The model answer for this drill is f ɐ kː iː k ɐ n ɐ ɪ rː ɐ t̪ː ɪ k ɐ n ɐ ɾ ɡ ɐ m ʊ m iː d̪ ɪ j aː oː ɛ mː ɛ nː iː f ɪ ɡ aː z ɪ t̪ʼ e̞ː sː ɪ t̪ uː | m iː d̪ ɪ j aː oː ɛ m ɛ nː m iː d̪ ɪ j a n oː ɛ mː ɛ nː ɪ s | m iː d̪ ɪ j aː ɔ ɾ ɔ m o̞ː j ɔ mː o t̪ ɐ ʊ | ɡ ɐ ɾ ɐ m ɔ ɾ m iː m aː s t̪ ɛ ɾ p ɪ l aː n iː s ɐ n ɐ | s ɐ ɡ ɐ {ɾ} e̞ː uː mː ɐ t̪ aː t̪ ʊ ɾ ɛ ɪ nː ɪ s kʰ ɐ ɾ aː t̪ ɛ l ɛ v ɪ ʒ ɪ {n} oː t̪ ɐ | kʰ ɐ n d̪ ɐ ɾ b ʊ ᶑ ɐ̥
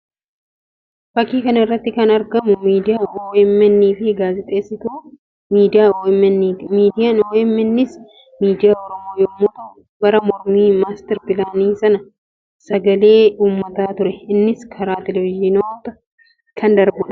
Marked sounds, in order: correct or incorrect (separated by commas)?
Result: incorrect, correct